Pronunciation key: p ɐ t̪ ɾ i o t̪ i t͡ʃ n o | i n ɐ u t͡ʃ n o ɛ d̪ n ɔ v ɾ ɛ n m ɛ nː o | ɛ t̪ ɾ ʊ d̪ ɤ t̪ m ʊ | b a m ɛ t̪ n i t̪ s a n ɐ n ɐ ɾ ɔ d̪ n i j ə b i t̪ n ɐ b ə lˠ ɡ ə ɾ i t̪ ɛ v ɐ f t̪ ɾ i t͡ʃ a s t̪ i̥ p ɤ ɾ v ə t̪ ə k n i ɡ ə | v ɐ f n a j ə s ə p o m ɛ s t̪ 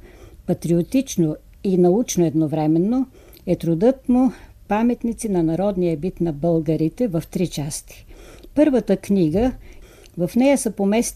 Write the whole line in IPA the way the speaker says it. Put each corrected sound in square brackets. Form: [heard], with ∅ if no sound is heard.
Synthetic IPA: p ɐ t̪ ɾ i o t̪ i t͡ʃ n o | i n ɐ u t͡ʃ n o ɛ d̪ n [o] v ɾ ɛ [∅] m ɛ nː o | ɛ t̪ ɾ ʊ d̪ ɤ t̪ m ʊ | [p] a m ɛ t̪ n i t̪ s [i] n ɐ n ɐ ɾ ɔ d̪ n i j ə b i t̪ n ɐ b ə lˠ ɡ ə ɾ i t̪ ɛ v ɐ f t̪ ɾ i t͡ʃ a s t̪ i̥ p ɤ ɾ v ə t̪ ə k n i ɡ ə | v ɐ f n [ɛ] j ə s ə p o m ɛ s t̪